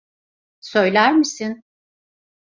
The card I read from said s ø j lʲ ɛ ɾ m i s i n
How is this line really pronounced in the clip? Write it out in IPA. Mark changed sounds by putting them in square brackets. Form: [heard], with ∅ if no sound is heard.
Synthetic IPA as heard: s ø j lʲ [æ] ɾ m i s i n